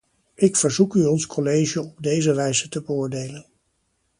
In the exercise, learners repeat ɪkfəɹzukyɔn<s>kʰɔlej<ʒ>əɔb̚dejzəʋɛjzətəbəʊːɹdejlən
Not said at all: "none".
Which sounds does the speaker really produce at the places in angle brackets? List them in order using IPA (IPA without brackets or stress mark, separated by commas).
s, ʒ